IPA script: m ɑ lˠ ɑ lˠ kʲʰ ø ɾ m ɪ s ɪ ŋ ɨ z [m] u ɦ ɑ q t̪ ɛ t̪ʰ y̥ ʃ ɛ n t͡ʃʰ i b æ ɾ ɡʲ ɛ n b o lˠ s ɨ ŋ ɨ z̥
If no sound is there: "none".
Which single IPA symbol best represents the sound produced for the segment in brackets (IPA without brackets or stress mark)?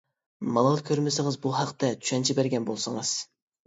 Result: b